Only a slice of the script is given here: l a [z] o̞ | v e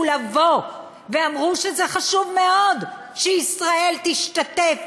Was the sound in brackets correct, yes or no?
no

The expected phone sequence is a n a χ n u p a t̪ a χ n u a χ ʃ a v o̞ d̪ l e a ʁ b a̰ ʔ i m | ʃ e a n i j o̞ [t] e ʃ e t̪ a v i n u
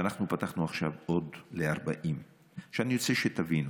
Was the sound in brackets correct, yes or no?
no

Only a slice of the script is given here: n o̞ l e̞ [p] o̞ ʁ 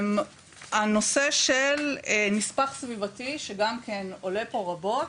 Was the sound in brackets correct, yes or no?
yes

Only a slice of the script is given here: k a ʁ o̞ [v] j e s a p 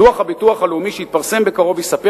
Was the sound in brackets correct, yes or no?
yes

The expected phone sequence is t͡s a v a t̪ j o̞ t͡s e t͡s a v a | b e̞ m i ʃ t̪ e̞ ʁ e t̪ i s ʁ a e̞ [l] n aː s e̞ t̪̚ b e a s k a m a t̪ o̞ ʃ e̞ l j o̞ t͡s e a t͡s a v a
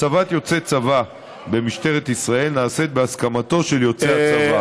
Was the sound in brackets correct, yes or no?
yes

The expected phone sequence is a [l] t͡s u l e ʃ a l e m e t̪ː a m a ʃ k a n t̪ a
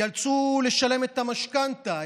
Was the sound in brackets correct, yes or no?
yes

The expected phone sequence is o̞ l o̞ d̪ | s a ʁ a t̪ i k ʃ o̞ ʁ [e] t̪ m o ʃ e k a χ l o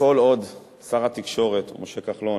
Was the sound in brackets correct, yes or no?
yes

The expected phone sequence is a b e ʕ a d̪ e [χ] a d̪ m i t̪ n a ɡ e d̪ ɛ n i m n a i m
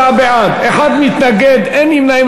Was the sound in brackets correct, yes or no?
no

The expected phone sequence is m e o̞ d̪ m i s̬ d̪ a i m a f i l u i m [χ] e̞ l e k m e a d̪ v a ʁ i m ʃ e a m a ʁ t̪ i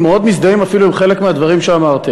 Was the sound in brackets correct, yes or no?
yes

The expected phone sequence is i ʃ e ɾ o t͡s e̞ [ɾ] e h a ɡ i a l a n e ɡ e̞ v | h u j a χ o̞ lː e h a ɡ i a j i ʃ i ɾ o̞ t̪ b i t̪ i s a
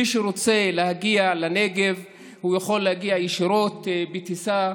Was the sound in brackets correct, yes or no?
no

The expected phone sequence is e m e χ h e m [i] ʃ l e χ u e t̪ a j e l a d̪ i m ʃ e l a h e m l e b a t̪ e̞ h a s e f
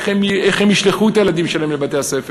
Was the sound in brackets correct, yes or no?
yes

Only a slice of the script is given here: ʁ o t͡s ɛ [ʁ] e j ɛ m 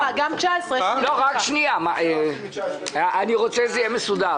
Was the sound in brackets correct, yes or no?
no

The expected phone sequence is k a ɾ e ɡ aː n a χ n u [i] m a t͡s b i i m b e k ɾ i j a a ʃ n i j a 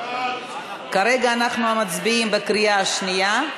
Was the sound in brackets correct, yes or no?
no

